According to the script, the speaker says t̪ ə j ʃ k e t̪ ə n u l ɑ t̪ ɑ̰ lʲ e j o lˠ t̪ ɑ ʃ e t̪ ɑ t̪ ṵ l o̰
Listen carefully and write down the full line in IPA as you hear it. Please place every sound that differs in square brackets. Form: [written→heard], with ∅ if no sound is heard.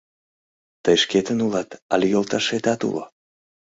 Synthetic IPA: t̪ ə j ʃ k e t̪ ə n u l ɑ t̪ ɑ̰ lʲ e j o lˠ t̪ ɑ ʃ e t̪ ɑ t̪ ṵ l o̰